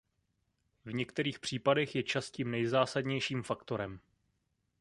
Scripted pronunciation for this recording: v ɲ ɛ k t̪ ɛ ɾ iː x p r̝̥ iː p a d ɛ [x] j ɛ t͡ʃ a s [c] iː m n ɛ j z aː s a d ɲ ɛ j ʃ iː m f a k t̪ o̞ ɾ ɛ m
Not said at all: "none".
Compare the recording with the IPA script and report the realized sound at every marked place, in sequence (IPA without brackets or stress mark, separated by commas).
x, c